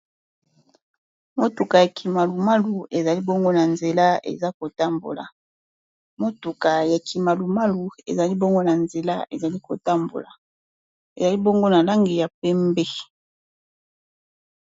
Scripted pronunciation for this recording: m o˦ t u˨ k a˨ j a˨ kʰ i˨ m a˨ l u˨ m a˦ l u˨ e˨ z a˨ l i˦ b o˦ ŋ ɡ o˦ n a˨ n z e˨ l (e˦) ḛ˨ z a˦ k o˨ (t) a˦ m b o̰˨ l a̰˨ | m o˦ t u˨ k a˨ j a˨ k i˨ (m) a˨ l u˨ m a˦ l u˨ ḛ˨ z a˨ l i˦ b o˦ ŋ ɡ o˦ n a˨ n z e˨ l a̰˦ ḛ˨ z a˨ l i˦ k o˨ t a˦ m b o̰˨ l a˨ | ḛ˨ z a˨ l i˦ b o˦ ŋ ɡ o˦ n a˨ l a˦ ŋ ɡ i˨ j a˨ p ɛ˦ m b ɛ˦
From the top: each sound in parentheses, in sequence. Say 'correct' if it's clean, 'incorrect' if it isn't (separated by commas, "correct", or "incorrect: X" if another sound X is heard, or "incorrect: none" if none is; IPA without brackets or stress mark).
incorrect: a˦, correct, correct